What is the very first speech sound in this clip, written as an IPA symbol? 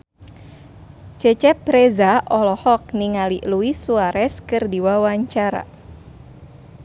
t͡ʃ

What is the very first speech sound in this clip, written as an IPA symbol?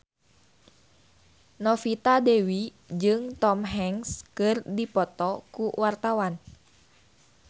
n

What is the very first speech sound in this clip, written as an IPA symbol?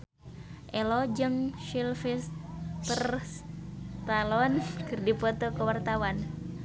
ʔ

